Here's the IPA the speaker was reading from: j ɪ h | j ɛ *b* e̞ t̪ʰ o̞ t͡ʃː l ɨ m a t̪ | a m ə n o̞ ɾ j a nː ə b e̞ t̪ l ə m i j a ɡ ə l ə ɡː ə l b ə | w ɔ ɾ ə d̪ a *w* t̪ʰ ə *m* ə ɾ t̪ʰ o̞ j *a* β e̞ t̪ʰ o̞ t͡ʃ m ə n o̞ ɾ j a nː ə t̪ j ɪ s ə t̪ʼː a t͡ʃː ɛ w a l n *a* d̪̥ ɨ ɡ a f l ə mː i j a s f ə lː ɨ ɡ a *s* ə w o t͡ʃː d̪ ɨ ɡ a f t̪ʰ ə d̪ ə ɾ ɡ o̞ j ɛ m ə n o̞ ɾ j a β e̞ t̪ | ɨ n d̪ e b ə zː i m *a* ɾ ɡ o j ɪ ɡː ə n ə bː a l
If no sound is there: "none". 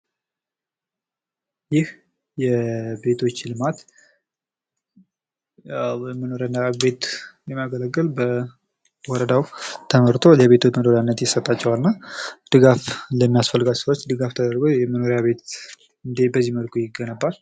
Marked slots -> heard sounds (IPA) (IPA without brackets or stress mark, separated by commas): b, w, m, ɛ, a, s, ə